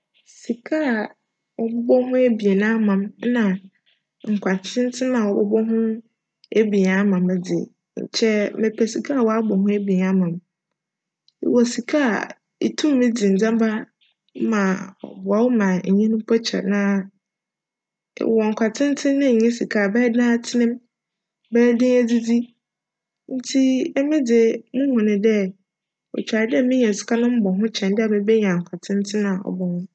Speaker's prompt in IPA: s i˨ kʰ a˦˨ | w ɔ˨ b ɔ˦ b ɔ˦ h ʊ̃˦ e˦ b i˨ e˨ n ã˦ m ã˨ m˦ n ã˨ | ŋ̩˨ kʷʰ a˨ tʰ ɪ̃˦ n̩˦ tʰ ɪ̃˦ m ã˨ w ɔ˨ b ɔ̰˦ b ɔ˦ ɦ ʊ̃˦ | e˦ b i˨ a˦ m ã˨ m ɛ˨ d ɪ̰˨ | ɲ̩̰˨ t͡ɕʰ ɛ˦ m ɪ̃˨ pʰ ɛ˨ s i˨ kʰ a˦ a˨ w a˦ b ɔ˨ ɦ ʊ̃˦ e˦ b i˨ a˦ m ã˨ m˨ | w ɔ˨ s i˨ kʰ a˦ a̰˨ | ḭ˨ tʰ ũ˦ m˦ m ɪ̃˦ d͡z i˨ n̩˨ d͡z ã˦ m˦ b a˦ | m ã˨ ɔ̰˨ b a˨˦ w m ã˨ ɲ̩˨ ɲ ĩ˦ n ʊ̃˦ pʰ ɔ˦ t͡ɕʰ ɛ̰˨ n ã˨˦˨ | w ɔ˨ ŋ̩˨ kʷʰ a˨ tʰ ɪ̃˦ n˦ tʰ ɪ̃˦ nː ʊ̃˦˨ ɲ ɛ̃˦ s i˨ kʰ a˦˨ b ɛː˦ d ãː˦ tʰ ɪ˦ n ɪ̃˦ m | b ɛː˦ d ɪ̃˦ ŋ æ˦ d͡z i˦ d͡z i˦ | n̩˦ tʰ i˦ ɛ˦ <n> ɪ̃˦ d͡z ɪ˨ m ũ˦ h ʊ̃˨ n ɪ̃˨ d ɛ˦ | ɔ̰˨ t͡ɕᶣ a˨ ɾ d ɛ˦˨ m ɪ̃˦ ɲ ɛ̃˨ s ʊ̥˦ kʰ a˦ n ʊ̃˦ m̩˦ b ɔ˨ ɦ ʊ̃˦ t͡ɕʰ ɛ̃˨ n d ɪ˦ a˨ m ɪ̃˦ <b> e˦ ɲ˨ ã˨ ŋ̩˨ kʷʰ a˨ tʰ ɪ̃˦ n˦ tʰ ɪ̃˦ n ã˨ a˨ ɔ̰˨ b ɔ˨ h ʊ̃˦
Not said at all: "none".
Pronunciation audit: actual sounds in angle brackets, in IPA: m, b

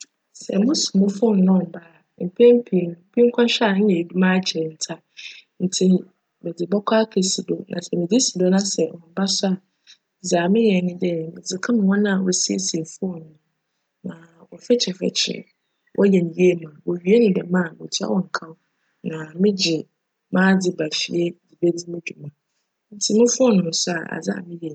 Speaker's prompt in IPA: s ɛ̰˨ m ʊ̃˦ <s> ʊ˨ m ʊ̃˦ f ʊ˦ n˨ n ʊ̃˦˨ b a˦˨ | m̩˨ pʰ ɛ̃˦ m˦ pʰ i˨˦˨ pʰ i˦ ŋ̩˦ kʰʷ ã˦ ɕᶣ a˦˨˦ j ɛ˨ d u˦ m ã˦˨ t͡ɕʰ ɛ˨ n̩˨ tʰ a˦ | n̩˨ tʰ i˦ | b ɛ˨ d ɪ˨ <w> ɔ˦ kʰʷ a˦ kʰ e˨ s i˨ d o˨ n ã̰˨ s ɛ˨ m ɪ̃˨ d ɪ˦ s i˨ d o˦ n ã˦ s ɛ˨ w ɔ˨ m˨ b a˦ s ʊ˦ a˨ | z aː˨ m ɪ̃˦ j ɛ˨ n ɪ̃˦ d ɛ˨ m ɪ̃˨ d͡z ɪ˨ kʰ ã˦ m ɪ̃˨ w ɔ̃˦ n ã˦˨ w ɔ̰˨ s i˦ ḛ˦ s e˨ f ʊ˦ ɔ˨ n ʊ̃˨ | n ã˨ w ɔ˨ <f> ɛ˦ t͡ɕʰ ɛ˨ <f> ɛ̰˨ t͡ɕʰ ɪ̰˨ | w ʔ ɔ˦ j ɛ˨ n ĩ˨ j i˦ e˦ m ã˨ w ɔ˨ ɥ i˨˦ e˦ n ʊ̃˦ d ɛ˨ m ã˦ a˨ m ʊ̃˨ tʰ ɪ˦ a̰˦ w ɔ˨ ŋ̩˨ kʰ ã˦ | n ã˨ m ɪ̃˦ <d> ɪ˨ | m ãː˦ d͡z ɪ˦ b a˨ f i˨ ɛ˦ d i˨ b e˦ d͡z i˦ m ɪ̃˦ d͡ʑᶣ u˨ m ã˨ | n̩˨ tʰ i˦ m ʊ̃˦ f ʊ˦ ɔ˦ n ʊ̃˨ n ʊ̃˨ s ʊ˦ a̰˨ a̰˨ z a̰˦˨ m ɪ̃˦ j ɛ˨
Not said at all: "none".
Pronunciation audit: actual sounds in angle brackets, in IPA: s, b, f, f, d͡ʑ

